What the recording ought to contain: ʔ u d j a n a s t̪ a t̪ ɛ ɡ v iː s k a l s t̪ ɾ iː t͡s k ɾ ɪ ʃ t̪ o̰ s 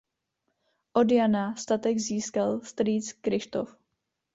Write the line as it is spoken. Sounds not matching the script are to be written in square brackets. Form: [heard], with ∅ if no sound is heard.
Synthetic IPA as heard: ʔ [o] d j a n a s t̪ a t̪ ɛ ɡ [z] iː s k a l s t̪ ɾ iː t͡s k ɾ ɪ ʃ t̪ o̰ [f]